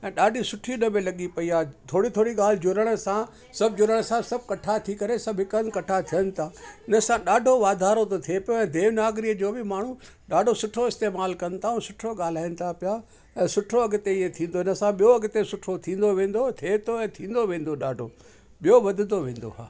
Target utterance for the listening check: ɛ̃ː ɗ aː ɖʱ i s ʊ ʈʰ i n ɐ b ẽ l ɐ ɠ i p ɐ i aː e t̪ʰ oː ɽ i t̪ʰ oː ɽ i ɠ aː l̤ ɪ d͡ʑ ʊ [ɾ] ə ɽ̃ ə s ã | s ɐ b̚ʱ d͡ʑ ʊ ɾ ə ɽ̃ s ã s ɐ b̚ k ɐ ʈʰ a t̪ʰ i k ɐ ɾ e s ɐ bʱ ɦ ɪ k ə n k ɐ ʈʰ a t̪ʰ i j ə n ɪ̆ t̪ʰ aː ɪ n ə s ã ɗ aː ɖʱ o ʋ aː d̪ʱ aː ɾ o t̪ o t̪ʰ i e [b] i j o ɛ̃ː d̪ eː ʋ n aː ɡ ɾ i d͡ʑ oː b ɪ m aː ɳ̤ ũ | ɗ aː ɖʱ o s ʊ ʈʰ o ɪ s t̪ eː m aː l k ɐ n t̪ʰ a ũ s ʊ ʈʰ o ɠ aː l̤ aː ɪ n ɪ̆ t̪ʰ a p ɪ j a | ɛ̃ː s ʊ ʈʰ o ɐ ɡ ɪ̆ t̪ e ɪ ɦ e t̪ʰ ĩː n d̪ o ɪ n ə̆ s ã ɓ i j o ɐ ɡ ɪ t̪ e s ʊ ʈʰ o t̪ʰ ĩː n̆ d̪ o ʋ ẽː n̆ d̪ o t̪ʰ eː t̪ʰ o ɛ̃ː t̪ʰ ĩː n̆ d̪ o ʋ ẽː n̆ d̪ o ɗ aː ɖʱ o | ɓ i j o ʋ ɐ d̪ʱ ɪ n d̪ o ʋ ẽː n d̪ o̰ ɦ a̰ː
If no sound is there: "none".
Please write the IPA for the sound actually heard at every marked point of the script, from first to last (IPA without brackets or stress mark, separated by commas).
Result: ɾ, p